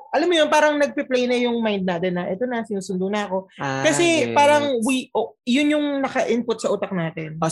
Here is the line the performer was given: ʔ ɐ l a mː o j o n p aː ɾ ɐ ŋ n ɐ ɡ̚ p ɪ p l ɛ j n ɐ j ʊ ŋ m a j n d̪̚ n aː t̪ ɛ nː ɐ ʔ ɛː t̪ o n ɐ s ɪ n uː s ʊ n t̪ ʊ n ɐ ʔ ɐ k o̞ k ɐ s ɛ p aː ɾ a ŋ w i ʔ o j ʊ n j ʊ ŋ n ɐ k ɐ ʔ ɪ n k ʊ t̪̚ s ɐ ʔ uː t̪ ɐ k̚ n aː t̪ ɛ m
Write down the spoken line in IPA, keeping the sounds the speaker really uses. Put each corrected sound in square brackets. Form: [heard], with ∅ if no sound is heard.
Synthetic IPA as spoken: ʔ ɐ l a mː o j o n p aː ɾ ɐ ŋ n ɐ ɡ̚ p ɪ p l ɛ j n ɐ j ʊ ŋ m a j n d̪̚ n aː t̪ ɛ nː ɐ ʔ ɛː t̪ o n ɐ s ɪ n uː s ʊ n [d̪] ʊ n ɐ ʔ ɐ k o̞ k ɐ s ɛ p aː ɾ [ɐ] ŋ w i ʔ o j ʊ n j ʊ ŋ n ɐ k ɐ ʔ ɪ n [p] ʊ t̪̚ s ɐ ʔ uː t̪ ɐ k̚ n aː t̪ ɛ [n]